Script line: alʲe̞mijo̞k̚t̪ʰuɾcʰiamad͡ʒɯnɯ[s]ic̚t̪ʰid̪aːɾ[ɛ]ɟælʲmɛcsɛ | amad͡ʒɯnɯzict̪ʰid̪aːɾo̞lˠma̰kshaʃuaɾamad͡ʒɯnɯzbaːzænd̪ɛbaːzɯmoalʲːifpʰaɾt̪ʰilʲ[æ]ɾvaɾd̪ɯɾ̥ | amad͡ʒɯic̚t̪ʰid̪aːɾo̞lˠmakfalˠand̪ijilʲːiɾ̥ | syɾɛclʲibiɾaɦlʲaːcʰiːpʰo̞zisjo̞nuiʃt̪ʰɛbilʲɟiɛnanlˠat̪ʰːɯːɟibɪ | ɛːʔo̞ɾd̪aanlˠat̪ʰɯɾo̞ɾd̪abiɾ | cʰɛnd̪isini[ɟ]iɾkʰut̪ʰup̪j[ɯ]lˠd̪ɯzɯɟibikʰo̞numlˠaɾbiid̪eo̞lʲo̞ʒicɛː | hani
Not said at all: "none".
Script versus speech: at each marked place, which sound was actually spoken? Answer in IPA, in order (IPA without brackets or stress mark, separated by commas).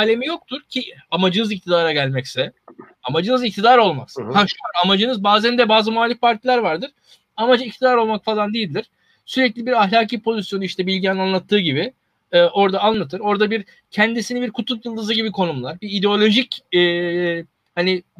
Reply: z, a, æ, b, ɯ